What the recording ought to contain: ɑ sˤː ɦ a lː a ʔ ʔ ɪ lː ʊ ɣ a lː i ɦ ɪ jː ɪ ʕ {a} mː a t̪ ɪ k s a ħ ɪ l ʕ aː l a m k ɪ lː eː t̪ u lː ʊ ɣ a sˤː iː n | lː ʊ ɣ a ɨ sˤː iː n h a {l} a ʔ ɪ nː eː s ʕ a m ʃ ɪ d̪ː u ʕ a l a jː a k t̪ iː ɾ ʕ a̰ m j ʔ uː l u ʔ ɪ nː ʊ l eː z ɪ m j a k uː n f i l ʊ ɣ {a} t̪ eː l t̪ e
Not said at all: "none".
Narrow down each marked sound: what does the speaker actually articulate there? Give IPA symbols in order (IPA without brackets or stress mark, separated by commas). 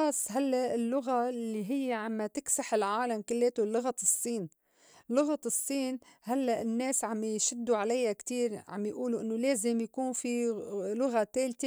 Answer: a, lː, a